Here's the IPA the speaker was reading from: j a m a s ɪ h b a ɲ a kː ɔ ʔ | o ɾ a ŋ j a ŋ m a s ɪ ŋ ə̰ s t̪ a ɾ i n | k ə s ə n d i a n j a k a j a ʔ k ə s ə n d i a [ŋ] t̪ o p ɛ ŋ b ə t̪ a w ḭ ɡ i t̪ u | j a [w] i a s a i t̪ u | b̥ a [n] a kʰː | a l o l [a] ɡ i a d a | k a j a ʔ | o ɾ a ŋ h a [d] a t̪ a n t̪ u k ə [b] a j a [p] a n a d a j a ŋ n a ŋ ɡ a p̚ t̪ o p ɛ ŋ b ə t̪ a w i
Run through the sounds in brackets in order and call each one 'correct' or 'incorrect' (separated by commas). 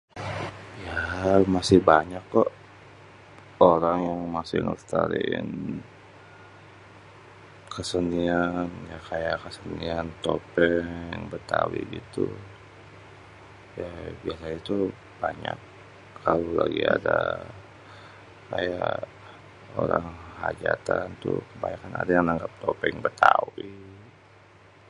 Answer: incorrect, incorrect, incorrect, correct, incorrect, correct, incorrect